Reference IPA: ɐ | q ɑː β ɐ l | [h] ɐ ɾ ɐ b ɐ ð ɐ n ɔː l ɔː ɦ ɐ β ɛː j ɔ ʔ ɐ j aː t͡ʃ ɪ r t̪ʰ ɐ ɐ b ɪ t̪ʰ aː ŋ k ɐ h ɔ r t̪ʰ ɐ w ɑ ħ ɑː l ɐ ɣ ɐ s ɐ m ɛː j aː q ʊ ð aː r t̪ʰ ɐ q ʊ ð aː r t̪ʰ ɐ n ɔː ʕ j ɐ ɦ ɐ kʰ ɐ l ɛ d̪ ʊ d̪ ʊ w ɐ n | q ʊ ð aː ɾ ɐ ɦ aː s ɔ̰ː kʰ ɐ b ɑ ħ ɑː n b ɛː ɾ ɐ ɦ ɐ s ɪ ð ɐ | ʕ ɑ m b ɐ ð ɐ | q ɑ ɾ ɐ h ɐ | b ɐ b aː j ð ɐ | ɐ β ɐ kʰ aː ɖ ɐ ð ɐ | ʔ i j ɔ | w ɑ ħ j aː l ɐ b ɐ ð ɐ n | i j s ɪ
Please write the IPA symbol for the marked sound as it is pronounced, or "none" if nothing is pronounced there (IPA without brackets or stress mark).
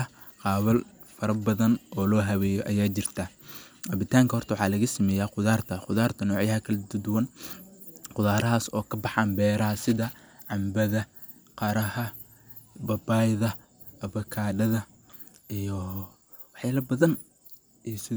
f